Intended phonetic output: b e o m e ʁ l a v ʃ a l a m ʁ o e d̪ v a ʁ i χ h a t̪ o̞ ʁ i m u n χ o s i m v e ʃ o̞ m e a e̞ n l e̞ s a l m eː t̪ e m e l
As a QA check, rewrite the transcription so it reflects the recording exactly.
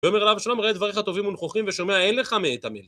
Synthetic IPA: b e o m e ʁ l a v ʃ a l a m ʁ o e d̪ v a ʁ i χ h a t̪ o̞ v i m u n χ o χ i m v e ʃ o̞ m e a e̞ n l e̞ χ a m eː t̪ a m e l